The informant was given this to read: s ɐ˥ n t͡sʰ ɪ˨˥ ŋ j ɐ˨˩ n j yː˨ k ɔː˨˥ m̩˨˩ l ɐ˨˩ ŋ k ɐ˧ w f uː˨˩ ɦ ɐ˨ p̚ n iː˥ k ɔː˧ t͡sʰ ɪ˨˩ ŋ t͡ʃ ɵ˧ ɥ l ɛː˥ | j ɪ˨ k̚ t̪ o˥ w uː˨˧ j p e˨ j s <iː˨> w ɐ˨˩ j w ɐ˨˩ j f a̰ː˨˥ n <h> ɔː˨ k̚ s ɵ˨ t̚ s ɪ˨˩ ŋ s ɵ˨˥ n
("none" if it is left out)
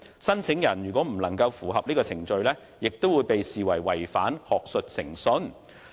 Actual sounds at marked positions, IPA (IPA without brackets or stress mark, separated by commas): iː˨, h